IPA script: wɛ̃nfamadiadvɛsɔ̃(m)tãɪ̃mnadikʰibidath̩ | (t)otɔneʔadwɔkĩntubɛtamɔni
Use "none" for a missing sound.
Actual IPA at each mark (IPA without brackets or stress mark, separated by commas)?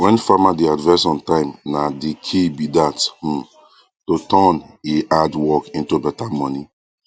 n, t